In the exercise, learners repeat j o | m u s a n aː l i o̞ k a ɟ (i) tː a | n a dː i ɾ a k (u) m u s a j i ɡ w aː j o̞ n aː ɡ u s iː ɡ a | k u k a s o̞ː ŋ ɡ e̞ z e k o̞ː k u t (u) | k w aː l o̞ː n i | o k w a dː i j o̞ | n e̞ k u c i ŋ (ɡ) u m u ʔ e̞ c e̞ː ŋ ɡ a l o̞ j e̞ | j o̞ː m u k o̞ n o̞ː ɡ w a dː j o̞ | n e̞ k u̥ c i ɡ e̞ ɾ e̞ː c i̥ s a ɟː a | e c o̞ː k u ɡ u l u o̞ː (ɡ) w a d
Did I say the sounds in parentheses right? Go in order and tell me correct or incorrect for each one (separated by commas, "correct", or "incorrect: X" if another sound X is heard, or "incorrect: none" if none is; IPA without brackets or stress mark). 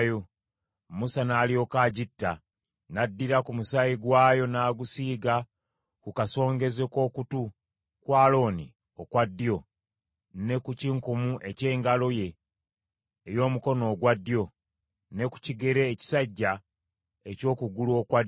correct, correct, correct, incorrect: k, incorrect: k